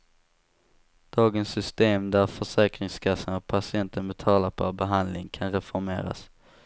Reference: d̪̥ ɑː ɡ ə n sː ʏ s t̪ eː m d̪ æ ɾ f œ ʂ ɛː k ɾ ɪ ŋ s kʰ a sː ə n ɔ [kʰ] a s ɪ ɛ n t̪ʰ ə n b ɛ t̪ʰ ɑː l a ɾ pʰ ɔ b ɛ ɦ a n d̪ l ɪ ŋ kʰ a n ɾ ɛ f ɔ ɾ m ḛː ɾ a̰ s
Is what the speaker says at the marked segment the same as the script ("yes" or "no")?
no